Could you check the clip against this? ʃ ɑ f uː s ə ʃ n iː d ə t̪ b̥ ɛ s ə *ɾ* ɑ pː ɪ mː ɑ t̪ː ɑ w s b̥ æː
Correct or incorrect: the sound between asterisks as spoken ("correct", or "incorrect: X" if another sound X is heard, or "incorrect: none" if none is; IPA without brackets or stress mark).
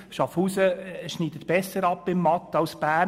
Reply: correct